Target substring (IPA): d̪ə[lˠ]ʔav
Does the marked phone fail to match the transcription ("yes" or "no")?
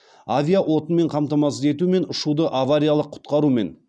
yes